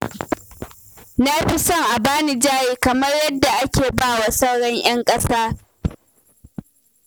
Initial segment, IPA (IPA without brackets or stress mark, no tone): n